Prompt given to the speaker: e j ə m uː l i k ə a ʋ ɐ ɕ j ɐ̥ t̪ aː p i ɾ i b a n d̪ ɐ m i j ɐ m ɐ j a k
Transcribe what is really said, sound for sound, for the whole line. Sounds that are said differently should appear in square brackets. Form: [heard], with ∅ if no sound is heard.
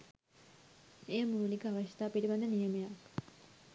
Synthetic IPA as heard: e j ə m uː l i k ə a ʋ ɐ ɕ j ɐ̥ t̪ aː p i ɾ i b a n d̪ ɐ [n] i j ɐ m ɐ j a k